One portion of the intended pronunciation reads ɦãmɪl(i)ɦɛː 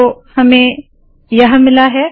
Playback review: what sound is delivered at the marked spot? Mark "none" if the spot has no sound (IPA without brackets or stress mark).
a